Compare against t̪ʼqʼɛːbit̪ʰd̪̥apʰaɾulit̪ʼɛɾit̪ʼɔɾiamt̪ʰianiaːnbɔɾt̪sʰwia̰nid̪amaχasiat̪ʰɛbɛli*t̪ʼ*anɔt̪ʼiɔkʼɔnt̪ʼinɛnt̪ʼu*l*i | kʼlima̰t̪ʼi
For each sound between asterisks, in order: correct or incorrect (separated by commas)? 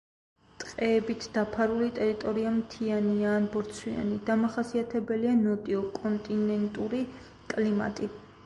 incorrect, incorrect